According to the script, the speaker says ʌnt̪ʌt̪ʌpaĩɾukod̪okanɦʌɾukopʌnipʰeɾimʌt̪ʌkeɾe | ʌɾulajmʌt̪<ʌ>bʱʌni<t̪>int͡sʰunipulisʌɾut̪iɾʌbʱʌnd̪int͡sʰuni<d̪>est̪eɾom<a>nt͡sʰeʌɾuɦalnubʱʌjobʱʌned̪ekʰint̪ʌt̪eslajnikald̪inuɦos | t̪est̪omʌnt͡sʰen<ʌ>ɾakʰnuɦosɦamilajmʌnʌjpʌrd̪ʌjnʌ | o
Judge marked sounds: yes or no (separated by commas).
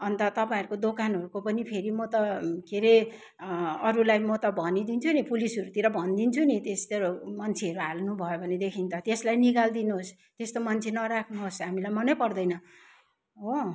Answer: yes, no, no, no, yes